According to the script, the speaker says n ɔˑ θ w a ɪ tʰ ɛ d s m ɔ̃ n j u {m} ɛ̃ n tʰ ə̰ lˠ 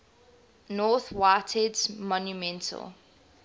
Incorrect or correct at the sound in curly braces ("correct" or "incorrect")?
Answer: correct